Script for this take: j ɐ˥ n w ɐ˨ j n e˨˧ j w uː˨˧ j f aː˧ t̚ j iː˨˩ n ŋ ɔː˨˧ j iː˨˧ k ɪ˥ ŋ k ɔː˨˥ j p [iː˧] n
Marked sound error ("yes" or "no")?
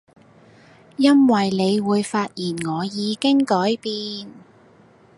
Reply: no